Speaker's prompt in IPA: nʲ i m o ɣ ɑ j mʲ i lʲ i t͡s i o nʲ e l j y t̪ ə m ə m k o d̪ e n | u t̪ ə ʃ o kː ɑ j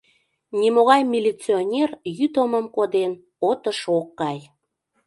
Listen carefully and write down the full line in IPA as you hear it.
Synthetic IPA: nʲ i m o ɣ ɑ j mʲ i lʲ i t͡s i o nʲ e r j y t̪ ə m ə m k o d̪ e n | o t̪ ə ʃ o kː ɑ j

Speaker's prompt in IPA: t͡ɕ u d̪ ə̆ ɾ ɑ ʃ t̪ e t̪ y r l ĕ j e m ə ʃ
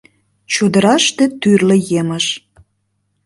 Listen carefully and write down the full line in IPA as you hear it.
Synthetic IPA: t͡ɕ u d̪ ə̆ ɾ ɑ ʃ t̪ e t̪ y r l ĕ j e m ə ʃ

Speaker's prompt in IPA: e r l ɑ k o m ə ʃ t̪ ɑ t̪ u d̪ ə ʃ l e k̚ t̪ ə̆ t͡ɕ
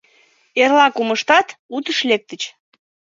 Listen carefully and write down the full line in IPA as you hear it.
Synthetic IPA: e r l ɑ k u m ə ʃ t̪ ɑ t̪ u t̪ ə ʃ l e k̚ t̪ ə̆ t͡ɕ

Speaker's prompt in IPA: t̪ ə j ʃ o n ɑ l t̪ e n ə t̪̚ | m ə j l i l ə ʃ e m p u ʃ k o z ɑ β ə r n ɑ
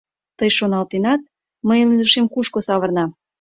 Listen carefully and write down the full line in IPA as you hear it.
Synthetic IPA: t̪ ə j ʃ o n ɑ l t̪ e n ɑ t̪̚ | m ə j l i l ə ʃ e m k u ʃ k o s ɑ β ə r n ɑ

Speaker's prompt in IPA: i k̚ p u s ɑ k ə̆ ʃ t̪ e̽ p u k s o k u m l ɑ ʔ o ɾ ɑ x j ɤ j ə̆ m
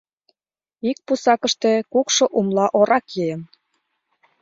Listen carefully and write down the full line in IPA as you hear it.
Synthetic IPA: i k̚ p u s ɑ k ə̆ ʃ t̪ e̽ k u k ʃ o ʔ u m l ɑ ʔ o ɾ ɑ k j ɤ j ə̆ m

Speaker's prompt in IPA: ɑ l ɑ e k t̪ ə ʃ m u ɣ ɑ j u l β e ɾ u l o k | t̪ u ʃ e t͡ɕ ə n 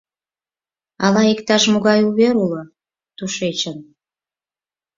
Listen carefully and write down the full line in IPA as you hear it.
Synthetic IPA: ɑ l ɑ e k t̪ ɑ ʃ m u ɣ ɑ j u β e ɾ u l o | t̪ u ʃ e t͡ɕ ə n

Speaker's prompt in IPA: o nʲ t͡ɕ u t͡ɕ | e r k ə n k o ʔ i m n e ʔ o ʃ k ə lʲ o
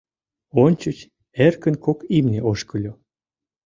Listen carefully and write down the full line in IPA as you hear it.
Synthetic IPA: o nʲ t͡ɕ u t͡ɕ | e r k ə n k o k i m n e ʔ o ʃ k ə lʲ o

